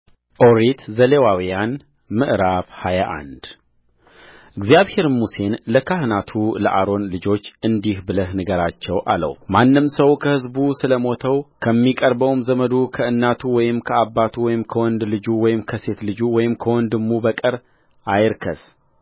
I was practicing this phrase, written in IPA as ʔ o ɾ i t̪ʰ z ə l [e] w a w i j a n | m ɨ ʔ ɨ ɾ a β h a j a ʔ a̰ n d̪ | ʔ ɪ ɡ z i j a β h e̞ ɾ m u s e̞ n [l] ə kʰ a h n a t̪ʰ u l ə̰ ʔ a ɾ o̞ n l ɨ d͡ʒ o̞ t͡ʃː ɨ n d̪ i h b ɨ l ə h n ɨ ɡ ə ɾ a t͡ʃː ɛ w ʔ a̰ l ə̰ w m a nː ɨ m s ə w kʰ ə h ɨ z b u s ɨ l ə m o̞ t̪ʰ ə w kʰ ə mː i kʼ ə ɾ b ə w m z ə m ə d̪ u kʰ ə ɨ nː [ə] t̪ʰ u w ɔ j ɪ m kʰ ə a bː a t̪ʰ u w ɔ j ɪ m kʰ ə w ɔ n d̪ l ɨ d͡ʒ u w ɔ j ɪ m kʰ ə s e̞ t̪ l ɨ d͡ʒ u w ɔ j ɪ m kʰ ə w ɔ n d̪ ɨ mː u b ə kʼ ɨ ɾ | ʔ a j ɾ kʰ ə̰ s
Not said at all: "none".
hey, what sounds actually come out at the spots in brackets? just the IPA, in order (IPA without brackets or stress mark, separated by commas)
e, l, a